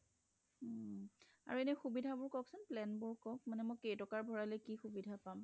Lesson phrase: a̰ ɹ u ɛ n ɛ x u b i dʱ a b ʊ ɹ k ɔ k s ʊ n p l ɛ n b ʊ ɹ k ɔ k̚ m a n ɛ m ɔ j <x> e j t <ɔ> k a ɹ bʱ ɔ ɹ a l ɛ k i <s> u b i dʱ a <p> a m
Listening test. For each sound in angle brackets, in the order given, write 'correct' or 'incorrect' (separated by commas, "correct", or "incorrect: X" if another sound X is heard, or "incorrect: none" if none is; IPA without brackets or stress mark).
incorrect: k, correct, incorrect: x, correct